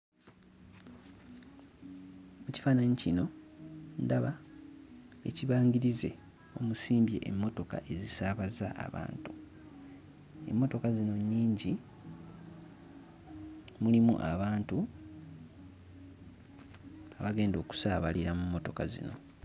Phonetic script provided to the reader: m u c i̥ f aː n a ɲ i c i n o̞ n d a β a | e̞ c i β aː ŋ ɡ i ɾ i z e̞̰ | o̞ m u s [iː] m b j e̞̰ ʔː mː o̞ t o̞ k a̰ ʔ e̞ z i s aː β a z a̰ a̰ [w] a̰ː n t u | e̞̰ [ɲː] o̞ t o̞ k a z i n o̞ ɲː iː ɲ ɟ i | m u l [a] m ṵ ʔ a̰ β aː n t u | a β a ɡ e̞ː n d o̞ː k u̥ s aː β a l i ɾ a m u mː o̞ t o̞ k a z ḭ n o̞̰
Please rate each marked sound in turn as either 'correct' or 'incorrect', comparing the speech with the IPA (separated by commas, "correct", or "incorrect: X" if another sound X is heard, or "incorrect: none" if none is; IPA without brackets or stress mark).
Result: correct, incorrect: β, incorrect: mː, incorrect: i